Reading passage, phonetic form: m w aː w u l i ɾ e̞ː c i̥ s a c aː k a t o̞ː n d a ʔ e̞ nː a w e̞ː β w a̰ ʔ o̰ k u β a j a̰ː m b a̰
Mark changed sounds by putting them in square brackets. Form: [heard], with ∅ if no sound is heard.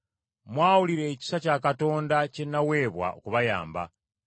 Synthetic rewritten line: m w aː w u l i ɾ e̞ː c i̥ s a c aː k a t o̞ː n d a [c] e̞ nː a w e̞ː β w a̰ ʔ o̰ k u β a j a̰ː m b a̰